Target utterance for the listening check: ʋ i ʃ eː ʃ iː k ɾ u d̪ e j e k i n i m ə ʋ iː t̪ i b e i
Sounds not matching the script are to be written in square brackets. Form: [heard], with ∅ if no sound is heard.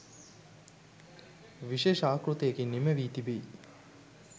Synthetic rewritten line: ʋ i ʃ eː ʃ [aː] k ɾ u [t̪] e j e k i n i m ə ʋ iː t̪ i b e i

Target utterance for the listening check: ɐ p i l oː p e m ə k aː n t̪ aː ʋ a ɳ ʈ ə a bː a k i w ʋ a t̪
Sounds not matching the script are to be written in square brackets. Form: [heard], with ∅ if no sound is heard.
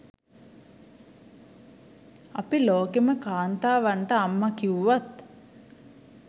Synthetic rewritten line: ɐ p i l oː [k] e m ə k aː n t̪ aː ʋ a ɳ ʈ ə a [mː] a k i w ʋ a t̪

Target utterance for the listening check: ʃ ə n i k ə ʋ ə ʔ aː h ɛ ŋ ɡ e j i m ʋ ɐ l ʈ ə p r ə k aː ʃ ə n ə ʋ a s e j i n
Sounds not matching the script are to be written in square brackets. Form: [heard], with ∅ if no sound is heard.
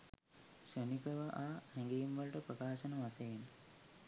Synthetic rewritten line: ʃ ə n i k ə ʋ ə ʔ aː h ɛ ŋ ɡ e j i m ʋ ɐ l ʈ ə p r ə k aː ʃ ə n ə ʋ a s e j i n

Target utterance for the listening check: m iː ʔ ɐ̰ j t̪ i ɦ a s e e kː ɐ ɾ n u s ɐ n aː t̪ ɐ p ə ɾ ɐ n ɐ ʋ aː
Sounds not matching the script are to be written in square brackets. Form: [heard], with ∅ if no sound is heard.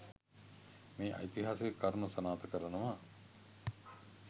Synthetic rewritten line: m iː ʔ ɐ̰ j t̪ i ɦ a s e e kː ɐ ɾ n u s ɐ n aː t̪ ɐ [k] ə ɾ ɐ n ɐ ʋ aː

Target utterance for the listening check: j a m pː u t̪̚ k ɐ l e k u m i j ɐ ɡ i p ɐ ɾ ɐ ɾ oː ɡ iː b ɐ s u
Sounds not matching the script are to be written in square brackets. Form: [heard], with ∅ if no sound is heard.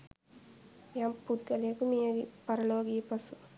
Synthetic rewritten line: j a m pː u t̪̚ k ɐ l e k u m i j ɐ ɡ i p ɐ ɾ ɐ [l] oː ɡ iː [p] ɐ s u

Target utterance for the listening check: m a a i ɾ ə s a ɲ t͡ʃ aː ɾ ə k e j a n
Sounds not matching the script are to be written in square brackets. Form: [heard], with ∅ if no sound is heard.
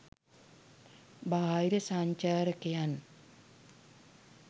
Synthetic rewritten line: [b] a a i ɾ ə s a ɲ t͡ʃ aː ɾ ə k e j a n

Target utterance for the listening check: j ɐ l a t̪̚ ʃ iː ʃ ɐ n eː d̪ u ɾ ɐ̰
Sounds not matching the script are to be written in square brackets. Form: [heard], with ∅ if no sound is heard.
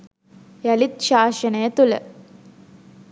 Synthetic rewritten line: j ɐ l [i] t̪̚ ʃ [aː] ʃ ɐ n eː [t̪] u [l] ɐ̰

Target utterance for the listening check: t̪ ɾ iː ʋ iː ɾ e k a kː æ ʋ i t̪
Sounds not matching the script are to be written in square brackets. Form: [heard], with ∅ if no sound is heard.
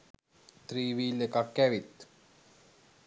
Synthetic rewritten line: t̪ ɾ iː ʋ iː [l] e k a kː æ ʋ i t̪

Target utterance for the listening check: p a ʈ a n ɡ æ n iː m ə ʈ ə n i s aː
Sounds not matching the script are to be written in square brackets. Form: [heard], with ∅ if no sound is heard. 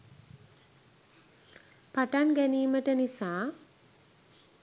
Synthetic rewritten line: p a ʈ a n ɡ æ n iː m ə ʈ ə n i s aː

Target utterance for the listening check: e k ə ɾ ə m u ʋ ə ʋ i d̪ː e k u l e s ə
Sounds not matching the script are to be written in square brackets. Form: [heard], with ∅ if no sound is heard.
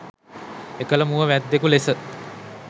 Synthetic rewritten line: e k ə [l] ə m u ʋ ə ʋ [æ] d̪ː e k u l e s ə

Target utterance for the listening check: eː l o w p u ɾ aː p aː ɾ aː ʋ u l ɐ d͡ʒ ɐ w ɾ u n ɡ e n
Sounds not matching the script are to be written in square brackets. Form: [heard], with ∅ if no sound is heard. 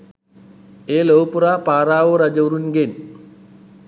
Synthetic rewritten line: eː l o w p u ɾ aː p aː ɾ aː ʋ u [ɾ] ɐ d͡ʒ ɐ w ɾ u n ɡ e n

